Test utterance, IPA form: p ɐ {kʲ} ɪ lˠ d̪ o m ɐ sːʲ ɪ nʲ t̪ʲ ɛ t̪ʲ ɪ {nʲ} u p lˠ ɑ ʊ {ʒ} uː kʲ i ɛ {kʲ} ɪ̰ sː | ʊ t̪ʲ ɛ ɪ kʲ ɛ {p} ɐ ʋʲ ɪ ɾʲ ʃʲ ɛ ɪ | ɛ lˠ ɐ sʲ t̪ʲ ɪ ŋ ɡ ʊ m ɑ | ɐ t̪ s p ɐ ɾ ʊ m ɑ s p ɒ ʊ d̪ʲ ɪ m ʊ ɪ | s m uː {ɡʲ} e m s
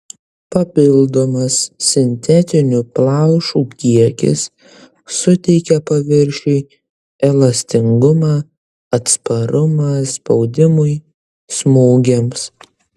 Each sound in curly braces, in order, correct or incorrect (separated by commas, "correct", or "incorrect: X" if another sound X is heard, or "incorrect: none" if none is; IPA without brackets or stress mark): incorrect: pʲ, correct, incorrect: ʃ, correct, correct, correct